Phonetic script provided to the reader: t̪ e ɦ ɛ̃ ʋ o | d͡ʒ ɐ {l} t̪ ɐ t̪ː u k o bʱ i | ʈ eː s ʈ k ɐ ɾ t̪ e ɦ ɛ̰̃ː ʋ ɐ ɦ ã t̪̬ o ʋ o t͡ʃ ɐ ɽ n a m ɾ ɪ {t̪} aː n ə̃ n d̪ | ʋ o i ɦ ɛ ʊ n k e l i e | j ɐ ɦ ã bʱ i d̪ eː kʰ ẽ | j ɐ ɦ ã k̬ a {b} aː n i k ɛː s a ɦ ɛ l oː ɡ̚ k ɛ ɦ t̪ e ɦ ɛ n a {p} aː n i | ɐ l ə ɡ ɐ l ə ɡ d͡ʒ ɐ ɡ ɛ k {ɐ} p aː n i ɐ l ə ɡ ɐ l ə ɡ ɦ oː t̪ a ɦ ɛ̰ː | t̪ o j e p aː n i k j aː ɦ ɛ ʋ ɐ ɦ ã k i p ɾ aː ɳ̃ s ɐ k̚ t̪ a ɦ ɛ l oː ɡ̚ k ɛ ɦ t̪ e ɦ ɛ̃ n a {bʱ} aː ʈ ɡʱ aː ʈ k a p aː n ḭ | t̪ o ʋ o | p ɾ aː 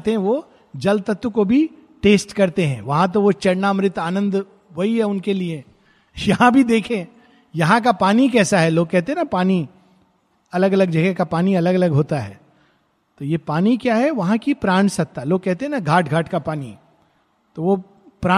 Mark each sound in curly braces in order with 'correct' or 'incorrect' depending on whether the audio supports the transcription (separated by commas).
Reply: correct, correct, incorrect, correct, incorrect, incorrect